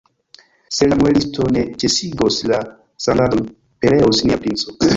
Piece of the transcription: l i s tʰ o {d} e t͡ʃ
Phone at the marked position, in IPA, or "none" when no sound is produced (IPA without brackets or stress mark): n